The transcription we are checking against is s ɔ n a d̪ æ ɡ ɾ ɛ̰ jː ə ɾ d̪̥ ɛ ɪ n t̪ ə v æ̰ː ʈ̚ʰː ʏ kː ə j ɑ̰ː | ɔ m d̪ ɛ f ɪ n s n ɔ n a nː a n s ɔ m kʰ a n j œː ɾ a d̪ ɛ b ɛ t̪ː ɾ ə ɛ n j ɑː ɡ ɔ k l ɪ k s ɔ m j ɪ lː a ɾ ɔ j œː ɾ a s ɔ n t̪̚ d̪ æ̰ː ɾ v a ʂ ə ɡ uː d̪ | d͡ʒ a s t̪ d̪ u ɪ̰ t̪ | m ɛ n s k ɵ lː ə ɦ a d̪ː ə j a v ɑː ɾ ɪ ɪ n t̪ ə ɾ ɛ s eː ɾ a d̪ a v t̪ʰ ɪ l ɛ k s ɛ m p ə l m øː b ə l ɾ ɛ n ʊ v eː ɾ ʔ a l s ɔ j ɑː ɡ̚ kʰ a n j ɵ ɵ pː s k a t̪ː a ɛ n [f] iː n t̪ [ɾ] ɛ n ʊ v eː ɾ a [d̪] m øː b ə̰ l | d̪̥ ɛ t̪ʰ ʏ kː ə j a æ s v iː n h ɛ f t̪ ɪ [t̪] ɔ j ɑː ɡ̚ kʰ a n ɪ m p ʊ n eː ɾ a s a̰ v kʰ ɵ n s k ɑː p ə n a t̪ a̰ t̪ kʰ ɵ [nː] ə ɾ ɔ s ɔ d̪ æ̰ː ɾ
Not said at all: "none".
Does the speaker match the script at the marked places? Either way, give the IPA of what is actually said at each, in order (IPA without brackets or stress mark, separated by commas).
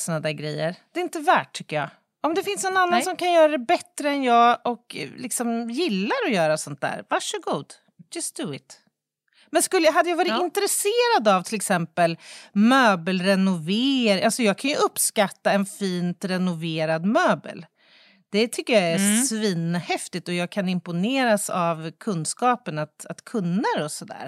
f, ɾ, d̪, t̪, nː